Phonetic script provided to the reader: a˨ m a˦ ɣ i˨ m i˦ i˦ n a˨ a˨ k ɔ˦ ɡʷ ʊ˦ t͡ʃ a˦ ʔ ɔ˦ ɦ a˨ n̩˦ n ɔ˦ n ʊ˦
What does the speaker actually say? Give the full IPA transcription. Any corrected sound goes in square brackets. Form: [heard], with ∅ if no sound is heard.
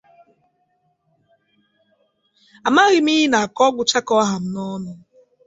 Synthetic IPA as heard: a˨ m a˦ ɣ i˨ m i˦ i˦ n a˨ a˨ k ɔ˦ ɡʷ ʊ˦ t͡ʃ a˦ [k] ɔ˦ ɦ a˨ [m̩˦] n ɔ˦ n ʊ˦